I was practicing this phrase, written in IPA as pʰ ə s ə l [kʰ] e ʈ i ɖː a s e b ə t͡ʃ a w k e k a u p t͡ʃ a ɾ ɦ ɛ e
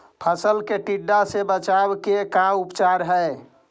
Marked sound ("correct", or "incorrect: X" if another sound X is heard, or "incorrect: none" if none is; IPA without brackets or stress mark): incorrect: k